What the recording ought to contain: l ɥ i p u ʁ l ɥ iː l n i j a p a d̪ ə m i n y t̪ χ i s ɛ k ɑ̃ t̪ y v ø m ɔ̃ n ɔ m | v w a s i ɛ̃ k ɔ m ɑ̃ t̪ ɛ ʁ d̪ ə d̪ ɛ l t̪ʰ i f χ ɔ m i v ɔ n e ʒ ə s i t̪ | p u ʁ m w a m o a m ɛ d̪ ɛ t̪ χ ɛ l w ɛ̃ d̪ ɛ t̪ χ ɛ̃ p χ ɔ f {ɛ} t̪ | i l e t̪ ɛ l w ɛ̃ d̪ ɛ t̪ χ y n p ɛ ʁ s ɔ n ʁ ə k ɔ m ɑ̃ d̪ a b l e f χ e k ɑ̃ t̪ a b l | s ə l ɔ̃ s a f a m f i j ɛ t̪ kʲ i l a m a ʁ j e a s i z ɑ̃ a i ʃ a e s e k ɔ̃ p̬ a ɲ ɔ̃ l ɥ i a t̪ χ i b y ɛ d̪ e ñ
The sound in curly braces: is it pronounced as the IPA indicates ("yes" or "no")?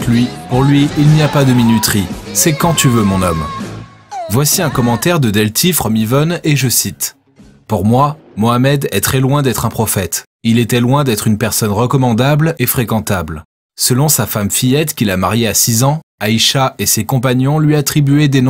yes